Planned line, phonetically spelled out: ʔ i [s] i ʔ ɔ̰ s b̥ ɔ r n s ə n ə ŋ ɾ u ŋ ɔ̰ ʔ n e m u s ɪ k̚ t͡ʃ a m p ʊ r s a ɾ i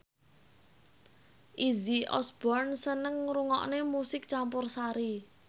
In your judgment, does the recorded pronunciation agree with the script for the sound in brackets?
no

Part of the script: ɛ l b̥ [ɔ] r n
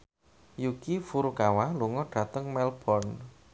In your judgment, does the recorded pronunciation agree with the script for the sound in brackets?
yes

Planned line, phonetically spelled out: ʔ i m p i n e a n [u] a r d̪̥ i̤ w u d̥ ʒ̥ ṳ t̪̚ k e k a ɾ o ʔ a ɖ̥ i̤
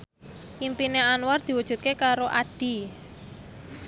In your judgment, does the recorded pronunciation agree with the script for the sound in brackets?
no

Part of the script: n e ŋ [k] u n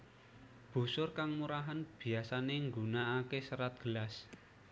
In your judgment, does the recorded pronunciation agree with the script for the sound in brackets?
no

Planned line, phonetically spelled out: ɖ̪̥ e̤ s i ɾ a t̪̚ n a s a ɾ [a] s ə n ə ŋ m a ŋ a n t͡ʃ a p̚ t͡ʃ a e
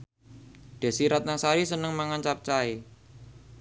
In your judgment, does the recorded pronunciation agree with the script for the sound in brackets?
no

